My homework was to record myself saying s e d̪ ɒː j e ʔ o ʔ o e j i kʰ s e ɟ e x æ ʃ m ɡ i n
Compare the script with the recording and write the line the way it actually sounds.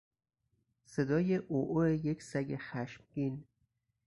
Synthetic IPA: s e d̪ ɒː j e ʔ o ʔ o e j e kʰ s æ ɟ e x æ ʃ m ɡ i n